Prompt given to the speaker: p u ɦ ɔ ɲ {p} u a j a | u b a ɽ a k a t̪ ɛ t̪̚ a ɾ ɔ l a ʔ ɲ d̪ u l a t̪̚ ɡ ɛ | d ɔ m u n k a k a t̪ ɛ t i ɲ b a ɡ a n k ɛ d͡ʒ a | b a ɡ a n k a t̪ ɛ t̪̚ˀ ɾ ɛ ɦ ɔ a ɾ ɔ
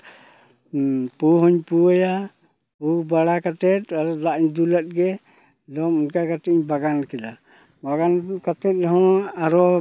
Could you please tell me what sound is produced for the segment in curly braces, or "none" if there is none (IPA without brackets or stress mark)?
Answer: p